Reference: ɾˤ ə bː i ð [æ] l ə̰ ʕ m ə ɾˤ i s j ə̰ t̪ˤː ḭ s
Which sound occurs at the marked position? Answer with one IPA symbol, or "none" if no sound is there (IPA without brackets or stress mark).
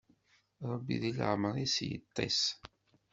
i